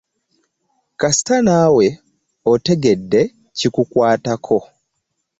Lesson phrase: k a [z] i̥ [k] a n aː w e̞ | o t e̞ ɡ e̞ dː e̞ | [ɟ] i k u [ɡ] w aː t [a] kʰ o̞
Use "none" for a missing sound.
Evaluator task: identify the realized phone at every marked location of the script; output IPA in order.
s, t, c, k, a

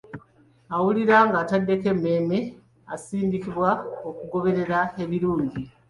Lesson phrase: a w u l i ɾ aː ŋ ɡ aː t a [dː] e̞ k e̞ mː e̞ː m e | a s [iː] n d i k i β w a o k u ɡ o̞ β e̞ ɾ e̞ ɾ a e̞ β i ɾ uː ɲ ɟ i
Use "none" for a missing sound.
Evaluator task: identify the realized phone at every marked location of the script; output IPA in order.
dː, iː

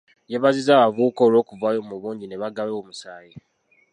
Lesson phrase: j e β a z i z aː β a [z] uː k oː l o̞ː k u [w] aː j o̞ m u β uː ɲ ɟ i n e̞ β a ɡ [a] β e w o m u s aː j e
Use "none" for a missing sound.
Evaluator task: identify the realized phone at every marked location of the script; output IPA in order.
v, v, a

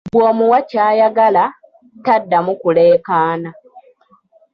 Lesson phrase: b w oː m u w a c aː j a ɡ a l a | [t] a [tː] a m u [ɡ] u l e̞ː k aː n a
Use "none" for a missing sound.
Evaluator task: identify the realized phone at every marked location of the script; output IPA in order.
t, dː, k

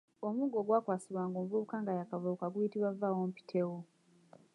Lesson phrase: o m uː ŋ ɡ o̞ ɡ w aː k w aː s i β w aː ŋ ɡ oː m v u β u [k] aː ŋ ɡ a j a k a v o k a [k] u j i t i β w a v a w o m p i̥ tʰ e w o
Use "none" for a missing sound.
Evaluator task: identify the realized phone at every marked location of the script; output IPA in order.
k, ɡ

